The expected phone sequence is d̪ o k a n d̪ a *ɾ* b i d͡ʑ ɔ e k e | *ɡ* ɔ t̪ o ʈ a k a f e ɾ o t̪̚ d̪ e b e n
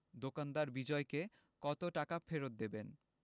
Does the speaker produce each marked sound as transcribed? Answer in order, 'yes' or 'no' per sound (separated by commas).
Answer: yes, no